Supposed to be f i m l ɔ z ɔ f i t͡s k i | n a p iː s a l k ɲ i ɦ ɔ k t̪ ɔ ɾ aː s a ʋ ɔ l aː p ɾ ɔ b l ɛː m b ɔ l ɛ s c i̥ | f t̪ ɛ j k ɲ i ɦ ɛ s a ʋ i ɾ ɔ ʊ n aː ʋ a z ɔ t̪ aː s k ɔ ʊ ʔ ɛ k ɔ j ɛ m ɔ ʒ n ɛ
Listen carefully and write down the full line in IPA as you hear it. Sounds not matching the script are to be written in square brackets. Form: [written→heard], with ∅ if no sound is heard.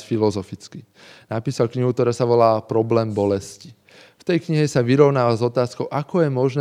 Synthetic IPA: f i [m→∅] l ɔ z ɔ f i t͡s k i | n a p iː s a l k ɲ i ɦ [ɔ→u] k t̪ ɔ ɾ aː s a ʋ ɔ l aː p ɾ ɔ b l ɛː m b ɔ l ɛ s c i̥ | f t̪ ɛ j k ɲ i ɦ ɛ s a ʋ i ɾ ɔ ʊ n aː ʋ a z ɔ t̪ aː s k ɔ ʊ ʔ [ɛ→a] k ɔ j ɛ m ɔ ʒ n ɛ